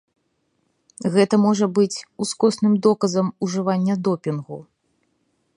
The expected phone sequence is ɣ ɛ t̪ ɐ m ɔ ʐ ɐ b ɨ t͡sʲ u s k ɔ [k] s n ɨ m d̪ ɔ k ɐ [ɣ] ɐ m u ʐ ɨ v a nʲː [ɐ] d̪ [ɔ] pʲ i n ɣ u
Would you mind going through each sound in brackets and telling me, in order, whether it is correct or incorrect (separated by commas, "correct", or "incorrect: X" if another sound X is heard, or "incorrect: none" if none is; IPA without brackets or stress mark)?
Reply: incorrect: none, incorrect: z, correct, correct